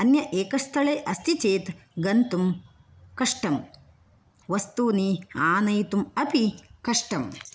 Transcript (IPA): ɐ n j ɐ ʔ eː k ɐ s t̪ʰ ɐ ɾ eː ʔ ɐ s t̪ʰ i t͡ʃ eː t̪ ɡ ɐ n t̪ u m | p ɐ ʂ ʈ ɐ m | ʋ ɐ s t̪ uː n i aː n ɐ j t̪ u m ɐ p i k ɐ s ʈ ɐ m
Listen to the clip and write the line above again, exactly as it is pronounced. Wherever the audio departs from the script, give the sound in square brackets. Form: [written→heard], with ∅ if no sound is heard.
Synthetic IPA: ɐ n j ɐ ʔ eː k ɐ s t̪ʰ ɐ [ɾ→ɭ] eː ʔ ɐ s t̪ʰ i t͡ʃ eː t̪ ɡ ɐ n t̪ u m | [p→k] ɐ ʂ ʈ ɐ m | ʋ ɐ s t̪ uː n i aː n ɐ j t̪ u m ɐ p i k ɐ [s→ʂ] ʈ ɐ m